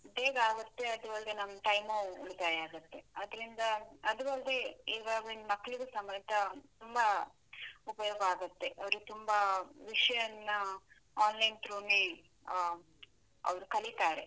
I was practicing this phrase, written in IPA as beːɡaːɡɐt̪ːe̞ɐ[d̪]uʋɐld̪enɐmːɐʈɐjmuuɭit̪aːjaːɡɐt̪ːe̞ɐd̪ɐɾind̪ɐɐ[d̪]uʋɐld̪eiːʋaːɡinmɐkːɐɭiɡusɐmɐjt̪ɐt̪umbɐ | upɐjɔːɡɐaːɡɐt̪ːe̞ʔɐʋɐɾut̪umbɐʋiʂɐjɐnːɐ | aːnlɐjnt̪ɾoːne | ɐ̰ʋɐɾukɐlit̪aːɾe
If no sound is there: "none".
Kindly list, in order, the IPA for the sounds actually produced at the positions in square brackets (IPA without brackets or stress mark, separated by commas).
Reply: d̪, d̪